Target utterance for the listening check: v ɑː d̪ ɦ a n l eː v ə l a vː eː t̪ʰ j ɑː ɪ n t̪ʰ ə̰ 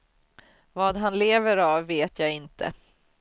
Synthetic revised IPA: v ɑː d̪ ɦ a n l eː v ə ɾ a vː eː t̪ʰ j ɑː ɪ n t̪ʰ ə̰